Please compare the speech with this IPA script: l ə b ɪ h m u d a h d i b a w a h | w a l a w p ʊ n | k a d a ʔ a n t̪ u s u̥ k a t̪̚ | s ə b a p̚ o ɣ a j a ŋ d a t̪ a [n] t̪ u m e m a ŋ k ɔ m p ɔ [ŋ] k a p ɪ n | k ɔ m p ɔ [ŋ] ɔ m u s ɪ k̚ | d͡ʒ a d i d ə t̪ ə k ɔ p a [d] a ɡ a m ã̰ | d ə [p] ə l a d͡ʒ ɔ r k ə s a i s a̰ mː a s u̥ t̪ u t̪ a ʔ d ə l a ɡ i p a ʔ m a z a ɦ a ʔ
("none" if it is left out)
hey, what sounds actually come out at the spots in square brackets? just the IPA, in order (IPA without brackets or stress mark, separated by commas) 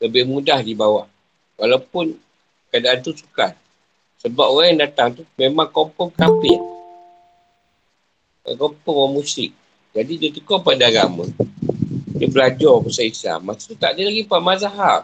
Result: ŋ, ŋ, ŋ, d, b